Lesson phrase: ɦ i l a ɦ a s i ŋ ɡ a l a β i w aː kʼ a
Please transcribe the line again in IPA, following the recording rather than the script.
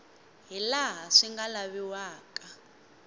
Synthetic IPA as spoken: ɦ i l a ɦ a ʂ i ŋ ɡ a l a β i w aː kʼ a